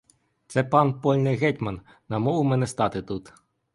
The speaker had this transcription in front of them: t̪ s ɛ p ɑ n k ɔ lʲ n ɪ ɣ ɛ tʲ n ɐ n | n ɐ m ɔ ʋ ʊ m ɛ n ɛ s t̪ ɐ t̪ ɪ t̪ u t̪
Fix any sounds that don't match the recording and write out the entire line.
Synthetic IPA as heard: t̪ s ɛ p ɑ n p ɔ lʲ n ɪ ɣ ɛ tʲ m ɐ n | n ɐ m ɔ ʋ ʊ m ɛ n ɛ s t̪ ɑ t̪ ɪ t̪ u t̪